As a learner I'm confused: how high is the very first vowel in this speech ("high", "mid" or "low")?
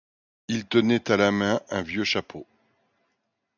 high